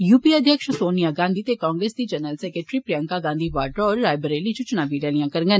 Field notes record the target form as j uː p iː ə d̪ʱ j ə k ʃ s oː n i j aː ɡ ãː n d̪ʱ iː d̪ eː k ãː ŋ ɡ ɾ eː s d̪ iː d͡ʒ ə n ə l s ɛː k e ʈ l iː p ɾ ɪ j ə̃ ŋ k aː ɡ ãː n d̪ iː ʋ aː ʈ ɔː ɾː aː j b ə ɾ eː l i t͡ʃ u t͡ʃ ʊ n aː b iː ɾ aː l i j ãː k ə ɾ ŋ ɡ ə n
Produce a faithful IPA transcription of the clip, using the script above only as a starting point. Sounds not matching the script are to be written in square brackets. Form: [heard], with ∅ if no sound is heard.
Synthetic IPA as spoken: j uː p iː ə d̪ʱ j ə k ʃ s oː n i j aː ɡ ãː n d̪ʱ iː [t̪] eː k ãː ŋ ɡ ɾ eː s d̪ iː d͡ʒ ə n ə l s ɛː k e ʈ [ɾ] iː p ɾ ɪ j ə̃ ŋ k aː ɡ ãː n d̪ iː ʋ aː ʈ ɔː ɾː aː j b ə ɾ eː l i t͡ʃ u t͡ʃ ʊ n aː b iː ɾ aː l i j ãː k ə ɾ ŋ ɡ ə n